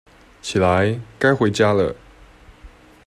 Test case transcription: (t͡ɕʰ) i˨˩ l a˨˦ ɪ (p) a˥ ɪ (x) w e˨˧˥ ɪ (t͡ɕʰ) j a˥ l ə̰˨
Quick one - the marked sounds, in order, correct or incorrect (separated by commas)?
correct, incorrect, correct, incorrect